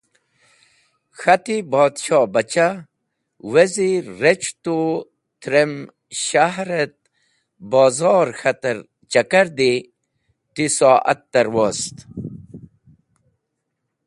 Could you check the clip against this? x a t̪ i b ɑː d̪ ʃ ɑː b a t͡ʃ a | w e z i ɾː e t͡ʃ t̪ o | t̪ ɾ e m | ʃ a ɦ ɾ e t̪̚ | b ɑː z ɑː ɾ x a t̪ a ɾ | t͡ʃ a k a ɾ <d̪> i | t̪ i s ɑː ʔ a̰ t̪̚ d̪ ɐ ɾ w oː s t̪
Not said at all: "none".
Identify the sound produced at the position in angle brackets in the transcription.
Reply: d̪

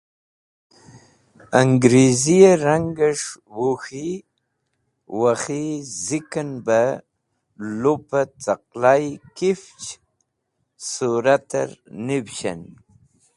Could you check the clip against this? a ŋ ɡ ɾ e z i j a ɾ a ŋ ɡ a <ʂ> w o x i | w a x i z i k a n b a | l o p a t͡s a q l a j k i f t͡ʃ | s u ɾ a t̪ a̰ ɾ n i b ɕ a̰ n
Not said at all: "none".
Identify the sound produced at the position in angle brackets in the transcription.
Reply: ʂ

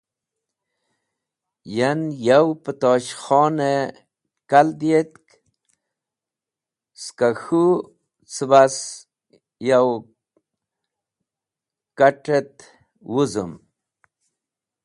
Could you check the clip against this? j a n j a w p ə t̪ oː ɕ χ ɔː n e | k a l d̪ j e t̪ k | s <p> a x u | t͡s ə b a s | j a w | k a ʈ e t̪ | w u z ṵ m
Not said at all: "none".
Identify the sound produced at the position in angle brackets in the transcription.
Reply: k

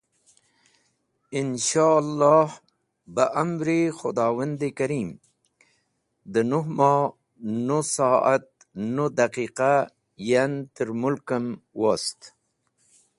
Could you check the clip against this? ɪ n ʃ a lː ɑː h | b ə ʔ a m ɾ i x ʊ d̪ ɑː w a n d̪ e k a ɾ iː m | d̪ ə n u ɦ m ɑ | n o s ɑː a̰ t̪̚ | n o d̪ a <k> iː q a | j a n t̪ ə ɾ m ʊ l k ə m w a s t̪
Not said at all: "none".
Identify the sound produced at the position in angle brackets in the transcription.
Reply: q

